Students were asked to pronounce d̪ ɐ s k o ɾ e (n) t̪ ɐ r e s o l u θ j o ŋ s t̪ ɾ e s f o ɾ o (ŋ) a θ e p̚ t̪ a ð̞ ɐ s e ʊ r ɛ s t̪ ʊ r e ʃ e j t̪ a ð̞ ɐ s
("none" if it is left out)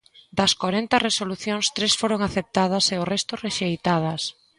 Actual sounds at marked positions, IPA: n, ŋ

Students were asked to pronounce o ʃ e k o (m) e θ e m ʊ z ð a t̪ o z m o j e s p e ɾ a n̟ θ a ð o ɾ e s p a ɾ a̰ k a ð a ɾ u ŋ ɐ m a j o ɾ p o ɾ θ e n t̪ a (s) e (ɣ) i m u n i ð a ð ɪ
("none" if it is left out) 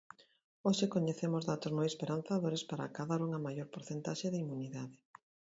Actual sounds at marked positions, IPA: ɲ, ʃ, ð

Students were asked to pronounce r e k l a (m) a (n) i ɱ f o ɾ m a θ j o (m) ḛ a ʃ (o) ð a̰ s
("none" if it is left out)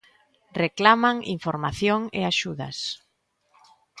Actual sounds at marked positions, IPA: m, ŋ, ŋ, u

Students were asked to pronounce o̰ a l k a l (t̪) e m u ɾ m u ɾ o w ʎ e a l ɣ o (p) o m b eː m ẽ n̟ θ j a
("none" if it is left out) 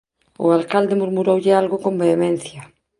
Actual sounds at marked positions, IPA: d̪, k

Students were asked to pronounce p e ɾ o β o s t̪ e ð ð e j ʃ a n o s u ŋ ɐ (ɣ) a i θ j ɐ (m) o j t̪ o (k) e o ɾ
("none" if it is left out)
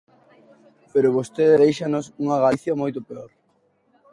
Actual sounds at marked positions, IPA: ɣ, m, p

